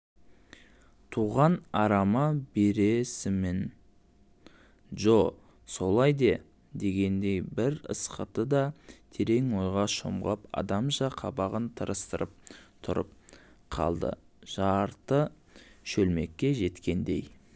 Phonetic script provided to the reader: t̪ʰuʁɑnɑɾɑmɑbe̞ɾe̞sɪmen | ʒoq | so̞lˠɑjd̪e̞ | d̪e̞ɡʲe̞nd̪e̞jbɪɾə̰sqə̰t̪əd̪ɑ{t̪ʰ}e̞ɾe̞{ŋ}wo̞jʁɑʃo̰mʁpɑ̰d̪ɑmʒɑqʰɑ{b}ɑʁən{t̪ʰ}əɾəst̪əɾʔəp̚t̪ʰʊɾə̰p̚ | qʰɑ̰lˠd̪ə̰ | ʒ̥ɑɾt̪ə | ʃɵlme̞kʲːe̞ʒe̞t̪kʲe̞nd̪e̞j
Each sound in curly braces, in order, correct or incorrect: correct, correct, correct, correct

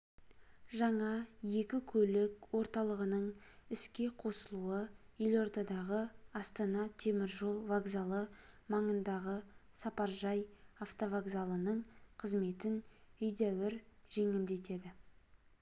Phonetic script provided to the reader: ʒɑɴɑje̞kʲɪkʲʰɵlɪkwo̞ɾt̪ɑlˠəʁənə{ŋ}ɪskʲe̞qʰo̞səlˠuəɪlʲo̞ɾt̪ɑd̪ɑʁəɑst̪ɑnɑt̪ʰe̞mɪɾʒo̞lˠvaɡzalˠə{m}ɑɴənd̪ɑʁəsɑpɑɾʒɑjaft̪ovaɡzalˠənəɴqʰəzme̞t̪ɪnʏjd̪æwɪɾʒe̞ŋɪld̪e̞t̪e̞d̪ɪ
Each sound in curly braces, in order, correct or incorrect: incorrect: ɴ, correct

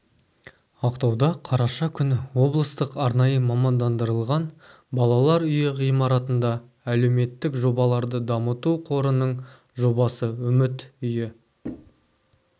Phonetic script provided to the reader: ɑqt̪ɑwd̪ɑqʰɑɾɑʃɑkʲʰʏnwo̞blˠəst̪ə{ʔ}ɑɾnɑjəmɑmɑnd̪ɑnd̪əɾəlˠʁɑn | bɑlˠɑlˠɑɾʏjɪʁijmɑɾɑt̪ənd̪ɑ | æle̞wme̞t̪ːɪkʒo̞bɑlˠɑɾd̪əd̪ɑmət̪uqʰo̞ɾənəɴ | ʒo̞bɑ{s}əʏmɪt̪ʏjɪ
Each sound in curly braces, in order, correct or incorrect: incorrect: q, correct

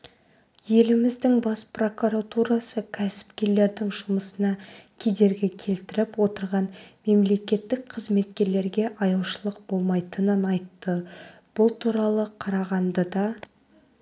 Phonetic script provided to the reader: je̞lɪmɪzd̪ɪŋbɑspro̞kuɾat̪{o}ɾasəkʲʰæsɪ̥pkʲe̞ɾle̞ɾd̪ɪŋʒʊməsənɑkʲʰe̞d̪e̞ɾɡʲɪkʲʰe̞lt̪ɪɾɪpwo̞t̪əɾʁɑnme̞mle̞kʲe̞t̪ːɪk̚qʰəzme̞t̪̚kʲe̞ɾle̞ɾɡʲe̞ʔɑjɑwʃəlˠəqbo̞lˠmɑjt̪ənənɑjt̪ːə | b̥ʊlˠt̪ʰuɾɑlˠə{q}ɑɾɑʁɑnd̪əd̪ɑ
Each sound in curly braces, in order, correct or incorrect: incorrect: u, incorrect: qʰ

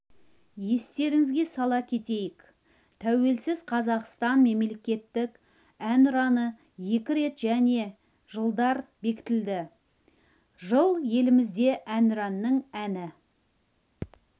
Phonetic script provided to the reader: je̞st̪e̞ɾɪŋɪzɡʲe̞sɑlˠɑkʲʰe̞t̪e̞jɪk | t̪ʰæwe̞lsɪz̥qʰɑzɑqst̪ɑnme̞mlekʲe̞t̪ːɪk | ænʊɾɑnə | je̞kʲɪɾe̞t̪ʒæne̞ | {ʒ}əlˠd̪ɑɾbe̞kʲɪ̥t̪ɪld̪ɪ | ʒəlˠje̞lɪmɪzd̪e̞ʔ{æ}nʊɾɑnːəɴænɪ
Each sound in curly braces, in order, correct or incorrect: correct, correct

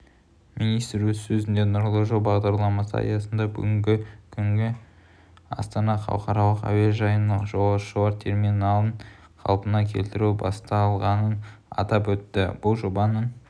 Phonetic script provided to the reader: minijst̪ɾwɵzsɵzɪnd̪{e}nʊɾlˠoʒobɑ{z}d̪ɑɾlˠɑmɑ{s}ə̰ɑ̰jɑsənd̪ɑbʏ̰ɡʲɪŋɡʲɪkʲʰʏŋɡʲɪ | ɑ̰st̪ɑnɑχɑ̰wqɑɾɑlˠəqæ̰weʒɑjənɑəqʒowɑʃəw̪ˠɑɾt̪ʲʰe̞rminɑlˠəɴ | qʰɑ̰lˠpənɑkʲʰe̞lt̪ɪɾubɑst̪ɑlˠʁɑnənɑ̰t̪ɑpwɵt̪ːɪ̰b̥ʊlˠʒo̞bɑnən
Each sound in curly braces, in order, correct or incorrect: correct, incorrect: ʁ, correct

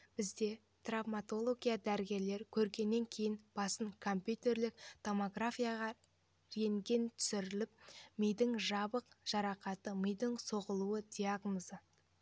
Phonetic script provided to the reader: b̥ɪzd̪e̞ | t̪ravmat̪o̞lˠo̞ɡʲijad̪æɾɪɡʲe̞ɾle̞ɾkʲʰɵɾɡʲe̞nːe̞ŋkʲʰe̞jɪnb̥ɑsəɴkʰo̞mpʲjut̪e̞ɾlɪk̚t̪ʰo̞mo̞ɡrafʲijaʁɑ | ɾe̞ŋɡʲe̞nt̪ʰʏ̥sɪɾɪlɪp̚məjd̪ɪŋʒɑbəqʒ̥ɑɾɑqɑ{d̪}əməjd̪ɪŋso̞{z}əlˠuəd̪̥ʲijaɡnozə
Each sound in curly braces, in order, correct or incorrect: incorrect: t̪, incorrect: ʁ

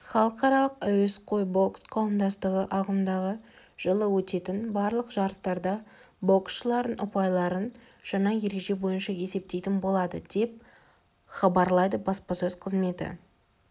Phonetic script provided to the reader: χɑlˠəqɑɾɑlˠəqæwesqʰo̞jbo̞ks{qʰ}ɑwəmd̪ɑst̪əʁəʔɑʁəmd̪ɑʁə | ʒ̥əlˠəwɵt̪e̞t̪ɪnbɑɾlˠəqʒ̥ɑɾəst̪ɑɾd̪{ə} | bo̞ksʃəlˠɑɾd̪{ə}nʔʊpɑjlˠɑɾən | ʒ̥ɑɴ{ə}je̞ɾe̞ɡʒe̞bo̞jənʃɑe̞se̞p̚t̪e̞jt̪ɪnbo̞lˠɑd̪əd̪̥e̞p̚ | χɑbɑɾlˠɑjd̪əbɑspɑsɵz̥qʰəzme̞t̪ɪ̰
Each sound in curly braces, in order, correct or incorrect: correct, incorrect: ɑ, correct, incorrect: ɑ

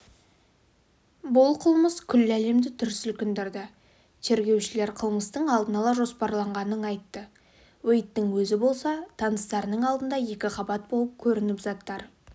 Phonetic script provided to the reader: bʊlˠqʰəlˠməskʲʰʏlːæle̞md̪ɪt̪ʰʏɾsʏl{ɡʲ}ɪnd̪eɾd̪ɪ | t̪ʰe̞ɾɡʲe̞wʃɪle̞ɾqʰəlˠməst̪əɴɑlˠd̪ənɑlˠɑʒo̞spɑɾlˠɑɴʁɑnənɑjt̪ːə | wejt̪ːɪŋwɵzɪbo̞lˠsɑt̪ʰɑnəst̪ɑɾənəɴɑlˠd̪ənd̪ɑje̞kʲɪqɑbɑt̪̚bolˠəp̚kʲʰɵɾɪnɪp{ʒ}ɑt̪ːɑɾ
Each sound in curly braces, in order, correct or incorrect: incorrect: kʲ, incorrect: z

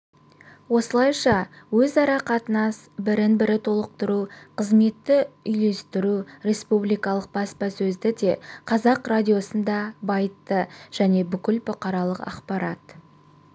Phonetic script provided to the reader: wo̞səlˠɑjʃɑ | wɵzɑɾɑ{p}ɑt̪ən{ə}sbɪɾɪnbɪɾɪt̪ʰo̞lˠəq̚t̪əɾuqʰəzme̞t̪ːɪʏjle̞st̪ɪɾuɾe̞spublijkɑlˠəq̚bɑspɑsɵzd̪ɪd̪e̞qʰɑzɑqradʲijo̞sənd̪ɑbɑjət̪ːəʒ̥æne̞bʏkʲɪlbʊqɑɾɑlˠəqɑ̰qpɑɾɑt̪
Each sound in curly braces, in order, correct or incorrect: incorrect: q, incorrect: ɑ

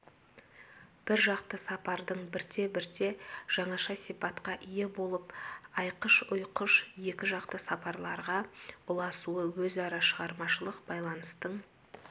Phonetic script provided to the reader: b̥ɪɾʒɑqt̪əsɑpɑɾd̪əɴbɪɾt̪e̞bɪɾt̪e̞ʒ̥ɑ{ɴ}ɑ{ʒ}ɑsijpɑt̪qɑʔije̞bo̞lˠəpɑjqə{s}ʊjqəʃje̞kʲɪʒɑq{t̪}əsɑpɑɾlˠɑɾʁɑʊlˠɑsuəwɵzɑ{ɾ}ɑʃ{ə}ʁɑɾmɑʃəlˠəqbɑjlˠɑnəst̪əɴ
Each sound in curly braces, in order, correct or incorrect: correct, incorrect: ʃ, incorrect: ʃ, correct, correct, correct

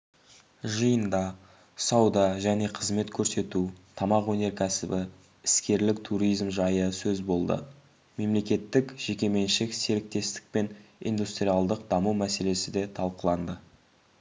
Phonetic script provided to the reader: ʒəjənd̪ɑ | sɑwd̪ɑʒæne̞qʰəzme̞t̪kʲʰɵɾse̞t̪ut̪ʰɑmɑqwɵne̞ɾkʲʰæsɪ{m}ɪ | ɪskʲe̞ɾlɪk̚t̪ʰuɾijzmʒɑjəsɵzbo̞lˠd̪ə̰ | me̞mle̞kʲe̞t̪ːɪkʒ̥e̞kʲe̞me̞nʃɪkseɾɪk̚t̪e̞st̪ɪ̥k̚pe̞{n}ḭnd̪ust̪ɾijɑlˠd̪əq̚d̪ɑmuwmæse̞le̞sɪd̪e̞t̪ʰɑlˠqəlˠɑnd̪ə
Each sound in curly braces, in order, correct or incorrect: incorrect: b, correct

